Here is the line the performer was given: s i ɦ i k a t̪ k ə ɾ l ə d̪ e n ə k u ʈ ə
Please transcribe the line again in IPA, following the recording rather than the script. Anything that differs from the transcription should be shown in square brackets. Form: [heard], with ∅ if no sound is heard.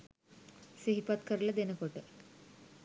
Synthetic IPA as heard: s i ɦ i [p] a t̪ k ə ɾ l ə d̪ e n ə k [o] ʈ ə